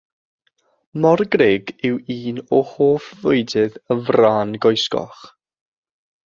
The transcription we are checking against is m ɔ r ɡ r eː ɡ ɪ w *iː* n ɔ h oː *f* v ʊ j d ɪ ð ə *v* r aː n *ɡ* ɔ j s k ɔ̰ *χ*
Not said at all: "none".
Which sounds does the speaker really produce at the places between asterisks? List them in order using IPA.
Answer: iː, f, v, ɡ, χ

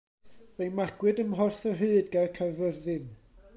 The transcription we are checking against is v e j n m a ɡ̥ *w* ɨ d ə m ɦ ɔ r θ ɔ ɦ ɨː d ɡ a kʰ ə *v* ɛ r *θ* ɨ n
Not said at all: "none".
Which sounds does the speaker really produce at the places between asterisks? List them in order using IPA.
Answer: w, v, ð

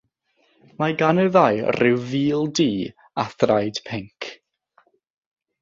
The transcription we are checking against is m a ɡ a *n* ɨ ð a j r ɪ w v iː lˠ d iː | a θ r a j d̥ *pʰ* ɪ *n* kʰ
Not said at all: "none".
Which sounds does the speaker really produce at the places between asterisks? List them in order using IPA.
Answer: n, pʰ, ŋ

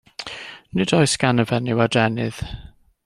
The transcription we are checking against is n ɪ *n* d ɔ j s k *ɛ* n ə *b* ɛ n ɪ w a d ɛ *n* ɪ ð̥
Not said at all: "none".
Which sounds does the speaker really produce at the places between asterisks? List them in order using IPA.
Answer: none, a, v, n

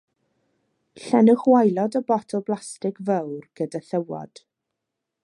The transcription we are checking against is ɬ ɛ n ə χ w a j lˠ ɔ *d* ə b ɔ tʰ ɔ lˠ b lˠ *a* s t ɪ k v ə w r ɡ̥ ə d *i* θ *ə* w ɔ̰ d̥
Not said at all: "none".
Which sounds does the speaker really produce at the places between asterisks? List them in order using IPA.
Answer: d, a, a, ə

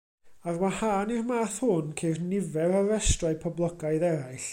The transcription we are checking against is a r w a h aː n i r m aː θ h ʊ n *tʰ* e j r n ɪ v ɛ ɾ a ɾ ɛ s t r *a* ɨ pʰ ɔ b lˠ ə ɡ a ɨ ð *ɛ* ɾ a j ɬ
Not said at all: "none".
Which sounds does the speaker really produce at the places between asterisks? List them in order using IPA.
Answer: kʰ, a, ɛ

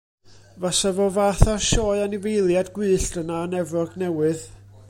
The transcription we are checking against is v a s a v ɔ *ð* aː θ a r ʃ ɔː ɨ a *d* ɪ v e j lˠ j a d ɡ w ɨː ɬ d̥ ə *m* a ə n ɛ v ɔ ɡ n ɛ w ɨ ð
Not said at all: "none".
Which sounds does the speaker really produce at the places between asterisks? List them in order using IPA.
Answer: v, n, n

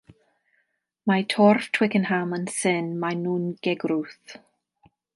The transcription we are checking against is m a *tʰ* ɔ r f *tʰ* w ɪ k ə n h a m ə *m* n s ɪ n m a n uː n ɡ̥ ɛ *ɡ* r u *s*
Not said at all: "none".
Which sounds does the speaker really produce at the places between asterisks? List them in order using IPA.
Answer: tʰ, tʰ, none, ɡ, θ

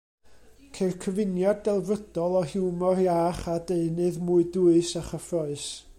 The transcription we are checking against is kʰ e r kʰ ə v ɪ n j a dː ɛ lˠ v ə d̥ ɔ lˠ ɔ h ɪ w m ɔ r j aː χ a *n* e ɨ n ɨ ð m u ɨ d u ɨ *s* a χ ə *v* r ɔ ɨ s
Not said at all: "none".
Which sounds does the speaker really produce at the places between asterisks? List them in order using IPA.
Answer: d, s, f

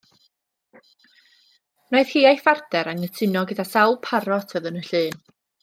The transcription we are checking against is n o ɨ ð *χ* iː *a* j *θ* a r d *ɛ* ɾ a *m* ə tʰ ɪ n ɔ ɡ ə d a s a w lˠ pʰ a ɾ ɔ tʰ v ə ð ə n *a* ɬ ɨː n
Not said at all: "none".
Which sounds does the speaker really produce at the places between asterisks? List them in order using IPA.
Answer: h, a, f, ɛ, ŋ, ə

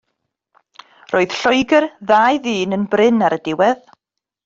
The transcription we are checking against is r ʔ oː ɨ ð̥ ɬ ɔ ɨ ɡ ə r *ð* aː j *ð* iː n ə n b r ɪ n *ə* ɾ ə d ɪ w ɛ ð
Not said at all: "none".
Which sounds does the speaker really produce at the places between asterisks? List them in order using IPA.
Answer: ð, ð, a

